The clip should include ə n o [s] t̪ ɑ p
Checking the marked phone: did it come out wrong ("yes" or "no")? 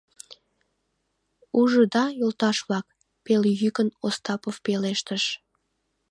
no